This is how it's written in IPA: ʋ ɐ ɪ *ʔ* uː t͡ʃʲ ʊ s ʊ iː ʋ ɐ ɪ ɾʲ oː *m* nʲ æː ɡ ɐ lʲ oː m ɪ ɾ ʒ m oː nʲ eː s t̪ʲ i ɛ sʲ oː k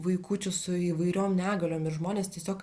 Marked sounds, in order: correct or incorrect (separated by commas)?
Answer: incorrect, correct